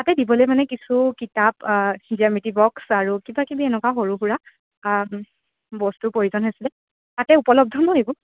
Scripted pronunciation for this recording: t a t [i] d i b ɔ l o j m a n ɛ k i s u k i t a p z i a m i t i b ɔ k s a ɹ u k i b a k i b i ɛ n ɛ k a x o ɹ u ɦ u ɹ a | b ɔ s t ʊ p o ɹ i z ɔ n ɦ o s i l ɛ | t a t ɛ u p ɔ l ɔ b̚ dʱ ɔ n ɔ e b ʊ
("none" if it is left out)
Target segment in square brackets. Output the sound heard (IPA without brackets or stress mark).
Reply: ɛ